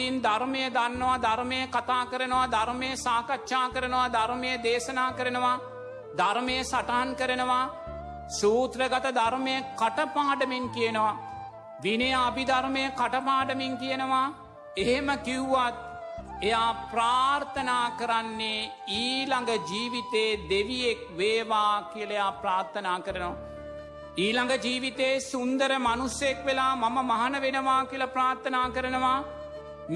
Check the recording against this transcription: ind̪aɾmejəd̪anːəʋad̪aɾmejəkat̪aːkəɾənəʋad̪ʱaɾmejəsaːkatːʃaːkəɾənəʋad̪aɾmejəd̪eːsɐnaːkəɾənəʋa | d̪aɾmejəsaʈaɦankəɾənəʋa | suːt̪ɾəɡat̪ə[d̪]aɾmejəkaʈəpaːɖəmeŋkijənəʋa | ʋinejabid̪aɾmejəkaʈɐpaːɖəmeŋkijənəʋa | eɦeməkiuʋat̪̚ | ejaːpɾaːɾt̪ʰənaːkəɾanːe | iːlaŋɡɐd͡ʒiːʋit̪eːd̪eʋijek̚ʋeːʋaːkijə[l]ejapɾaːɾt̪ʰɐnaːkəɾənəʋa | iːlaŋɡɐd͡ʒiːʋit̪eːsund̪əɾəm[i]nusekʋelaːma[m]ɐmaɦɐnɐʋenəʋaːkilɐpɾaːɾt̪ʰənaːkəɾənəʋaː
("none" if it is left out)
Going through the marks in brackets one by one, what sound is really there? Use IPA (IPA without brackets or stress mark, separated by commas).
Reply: d̪, l, a, m